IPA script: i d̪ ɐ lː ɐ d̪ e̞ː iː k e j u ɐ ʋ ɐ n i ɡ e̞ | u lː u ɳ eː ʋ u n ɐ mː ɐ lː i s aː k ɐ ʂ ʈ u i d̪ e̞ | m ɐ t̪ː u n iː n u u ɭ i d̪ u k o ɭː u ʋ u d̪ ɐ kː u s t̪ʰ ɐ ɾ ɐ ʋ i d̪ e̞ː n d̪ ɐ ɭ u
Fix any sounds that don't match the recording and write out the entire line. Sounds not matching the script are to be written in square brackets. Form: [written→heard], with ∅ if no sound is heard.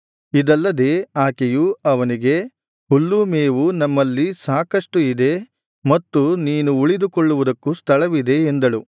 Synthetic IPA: i d̪ ɐ lː ɐ d̪ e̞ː [iː→aː] k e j u ɐ ʋ ɐ n i ɡ e̞ | u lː u [ɳ→m] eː ʋ u n ɐ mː ɐ lː i s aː k ɐ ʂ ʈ u i d̪ e̞ | m ɐ t̪ː u n iː n u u ɭ i d̪ u k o ɭː u ʋ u d̪ ɐ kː u s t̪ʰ ɐ [ɾ→ɭ] ɐ ʋ i d̪ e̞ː n d̪ ɐ ɭ u

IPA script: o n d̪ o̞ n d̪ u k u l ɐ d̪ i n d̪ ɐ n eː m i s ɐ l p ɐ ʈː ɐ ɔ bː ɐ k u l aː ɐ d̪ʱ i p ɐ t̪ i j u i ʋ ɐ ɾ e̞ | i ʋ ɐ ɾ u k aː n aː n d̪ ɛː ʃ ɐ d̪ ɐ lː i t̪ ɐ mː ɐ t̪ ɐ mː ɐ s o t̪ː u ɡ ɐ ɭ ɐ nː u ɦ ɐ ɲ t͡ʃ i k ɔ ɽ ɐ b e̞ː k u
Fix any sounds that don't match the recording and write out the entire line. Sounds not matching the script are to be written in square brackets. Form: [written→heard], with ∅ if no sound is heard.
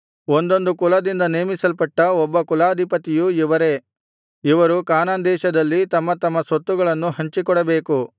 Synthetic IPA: o n d̪ o̞ n d̪ u k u l ɐ d̪ i n d̪ ɐ n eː m i s ɐ l p ɐ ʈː ɐ ɔ bː ɐ k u l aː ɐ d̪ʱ i p ɐ t̪ i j u i ʋ ɐ ɾ e̞ | i ʋ ɐ ɾ u k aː n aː n d̪ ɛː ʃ ɐ d̪ ɐ lː i t̪ ɐ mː ɐ t̪ ɐ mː ɐ s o t̪ː u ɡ ɐ ɭ ɐ nː u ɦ ɐ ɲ t͡ʃ i k ɔ ɽ ɐ b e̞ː k u

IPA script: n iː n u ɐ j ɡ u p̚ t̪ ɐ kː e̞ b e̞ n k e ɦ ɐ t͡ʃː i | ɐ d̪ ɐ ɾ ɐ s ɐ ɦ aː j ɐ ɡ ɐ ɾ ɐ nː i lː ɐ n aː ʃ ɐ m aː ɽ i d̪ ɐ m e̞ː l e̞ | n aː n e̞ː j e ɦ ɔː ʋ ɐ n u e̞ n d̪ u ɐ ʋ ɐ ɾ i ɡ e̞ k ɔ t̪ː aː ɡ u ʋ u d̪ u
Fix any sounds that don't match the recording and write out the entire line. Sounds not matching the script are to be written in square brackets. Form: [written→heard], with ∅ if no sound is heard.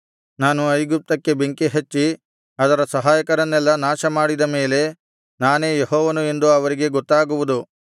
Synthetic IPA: n [iː→aː] n u ɐ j ɡ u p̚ t̪ ɐ kː e̞ b e̞ [n→ŋ] k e ɦ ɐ t͡ʃː i | ɐ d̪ ɐ ɾ ɐ s ɐ ɦ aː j ɐ [ɡ→k] ɐ ɾ ɐ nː [i→ɛ] lː ɐ n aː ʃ ɐ m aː ɽ i d̪ ɐ m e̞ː l e̞ | n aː n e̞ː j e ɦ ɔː ʋ ɐ n u e̞ n d̪ u ɐ ʋ ɐ ɾ i ɡ e̞ [k→ɡ] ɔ t̪ː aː ɡ u ʋ u d̪ u

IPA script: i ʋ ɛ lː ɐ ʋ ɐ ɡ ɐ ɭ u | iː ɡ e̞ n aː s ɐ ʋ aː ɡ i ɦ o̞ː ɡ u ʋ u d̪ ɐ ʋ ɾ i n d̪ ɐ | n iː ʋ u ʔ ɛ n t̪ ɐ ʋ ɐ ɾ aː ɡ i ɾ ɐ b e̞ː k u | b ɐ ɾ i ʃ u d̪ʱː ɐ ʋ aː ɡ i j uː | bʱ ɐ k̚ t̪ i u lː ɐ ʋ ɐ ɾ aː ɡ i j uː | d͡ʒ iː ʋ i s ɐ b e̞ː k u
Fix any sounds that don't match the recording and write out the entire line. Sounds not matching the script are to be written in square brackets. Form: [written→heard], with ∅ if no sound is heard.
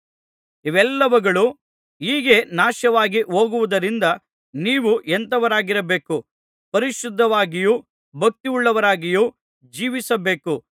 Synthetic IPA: i ʋ ɛ lː ɐ ʋ ɐ ɡ ɐ ɭ u | iː ɡ e̞ n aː [s→ʃ] ɐ ʋ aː ɡ i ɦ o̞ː ɡ u ʋ u d̪ ɐ [ʋ→∅] ɾ i n d̪ ɐ | n iː ʋ u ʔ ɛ n t̪ ɐ ʋ ɐ ɾ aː ɡ i ɾ ɐ b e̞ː k u | [b→p] ɐ ɾ i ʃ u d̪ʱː ɐ ʋ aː ɡ i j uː | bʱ ɐ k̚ t̪ i u [lː→ɭː] ɐ ʋ ɐ ɾ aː ɡ i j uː | d͡ʒ iː ʋ i s ɐ b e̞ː k u

